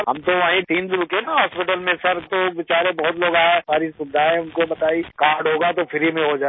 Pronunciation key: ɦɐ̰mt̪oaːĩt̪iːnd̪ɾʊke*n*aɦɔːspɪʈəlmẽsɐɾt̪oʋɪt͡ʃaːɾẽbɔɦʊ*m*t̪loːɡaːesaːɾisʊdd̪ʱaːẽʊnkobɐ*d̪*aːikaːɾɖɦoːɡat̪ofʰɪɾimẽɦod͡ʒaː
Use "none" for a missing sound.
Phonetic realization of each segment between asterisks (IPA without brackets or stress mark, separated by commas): n, none, t̪